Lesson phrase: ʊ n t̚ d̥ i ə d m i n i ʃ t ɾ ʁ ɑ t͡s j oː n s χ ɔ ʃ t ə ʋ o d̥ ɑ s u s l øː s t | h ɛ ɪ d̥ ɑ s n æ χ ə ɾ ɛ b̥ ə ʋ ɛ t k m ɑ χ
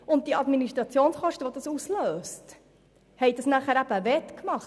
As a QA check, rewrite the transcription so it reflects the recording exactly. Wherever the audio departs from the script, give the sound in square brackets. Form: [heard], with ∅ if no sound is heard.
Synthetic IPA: ʊ n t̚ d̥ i [ɑ] d m i n i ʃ t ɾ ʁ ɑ t͡s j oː n s χ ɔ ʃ t ə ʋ o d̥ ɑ s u s l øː s t | h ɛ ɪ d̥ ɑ s n æ χ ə ɾ [æ] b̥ ə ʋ ɛ t k m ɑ χ